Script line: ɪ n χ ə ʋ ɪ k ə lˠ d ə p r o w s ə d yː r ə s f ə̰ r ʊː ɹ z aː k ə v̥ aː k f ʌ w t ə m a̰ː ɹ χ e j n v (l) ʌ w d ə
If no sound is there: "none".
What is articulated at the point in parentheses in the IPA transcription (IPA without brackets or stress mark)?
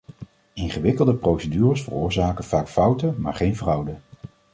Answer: r